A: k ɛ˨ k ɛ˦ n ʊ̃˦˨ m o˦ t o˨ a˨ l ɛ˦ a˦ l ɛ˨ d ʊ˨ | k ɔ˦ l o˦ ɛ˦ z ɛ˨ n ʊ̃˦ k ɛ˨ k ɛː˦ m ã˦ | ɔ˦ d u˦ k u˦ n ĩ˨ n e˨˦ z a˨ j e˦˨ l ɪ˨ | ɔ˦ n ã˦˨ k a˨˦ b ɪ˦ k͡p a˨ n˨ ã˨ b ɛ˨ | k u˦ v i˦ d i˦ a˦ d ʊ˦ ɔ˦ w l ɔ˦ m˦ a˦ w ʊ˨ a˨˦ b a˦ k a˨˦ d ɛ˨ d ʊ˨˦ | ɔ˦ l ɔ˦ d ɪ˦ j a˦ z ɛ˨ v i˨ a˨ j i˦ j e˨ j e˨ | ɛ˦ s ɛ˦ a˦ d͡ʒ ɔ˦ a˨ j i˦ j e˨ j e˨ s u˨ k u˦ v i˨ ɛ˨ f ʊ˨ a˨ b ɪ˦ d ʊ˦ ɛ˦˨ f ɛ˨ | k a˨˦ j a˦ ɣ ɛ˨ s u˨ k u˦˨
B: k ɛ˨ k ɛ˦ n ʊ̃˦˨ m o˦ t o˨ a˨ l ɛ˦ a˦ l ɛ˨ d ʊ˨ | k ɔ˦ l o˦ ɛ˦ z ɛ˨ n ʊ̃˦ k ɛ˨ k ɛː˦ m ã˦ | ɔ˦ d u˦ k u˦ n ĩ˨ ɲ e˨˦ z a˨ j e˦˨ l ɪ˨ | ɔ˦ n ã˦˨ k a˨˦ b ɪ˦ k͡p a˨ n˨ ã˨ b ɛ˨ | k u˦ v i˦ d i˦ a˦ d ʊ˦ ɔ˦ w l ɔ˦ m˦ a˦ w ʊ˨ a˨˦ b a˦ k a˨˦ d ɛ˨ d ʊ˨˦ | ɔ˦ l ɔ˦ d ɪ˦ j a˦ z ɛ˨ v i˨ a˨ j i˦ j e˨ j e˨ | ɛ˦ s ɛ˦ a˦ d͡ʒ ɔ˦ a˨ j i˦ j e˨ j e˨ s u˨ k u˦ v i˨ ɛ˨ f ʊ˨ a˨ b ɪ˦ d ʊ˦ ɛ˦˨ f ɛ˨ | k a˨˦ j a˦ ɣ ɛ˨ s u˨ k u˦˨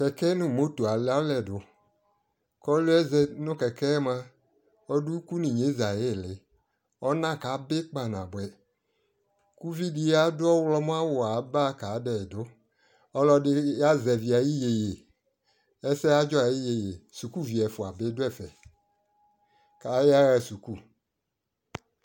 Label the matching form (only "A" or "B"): B